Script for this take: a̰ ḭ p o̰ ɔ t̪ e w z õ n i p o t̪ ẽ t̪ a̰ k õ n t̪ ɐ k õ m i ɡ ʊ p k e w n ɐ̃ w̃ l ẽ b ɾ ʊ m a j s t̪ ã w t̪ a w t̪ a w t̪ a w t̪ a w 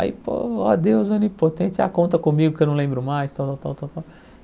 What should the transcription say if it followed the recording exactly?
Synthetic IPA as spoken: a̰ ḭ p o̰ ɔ d̪ e w z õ n i p o t̪ ẽ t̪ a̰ k õ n t̪ ɐ k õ m i ɡ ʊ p k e w n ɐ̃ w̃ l ẽ b ɾ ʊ m a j s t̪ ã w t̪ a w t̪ a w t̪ a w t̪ a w